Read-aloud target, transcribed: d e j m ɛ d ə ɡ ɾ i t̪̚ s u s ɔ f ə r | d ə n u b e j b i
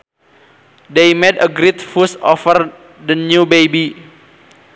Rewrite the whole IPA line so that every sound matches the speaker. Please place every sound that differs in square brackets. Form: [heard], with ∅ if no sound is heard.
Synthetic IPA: d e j m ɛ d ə ɡ ɾ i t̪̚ [f] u s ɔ f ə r | d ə n u b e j b i